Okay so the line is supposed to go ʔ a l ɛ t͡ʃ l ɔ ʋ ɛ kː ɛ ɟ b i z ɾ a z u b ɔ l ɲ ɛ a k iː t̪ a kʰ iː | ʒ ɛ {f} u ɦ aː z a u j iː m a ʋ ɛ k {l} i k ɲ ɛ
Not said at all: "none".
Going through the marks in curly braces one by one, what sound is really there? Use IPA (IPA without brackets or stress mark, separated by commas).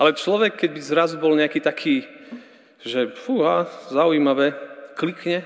f, l